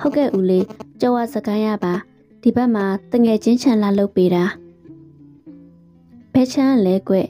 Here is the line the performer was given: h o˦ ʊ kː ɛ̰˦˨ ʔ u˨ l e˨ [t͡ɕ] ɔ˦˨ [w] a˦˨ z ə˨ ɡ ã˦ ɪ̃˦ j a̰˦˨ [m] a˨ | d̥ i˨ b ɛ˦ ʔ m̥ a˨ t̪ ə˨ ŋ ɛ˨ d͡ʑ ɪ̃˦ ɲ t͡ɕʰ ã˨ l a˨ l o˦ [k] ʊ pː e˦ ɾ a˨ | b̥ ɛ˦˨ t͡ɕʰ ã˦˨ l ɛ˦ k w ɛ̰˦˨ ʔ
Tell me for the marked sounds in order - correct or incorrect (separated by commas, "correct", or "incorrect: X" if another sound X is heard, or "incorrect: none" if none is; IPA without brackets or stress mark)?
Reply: correct, correct, incorrect: b, incorrect: none